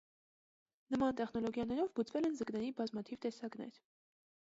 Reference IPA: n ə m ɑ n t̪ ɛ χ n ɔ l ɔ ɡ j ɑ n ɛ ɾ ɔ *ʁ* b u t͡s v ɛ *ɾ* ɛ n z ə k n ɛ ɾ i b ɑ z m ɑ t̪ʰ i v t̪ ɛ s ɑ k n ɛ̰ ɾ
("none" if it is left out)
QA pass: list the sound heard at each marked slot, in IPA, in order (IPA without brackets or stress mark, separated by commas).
v, l